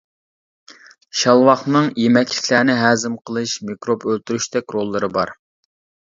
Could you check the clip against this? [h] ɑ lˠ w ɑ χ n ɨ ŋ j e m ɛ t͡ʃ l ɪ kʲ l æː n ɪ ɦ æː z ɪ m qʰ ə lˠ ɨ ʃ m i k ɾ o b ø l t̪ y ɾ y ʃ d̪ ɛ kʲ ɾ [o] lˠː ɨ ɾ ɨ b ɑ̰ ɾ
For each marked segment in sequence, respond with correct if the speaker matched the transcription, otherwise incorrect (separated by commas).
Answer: incorrect, correct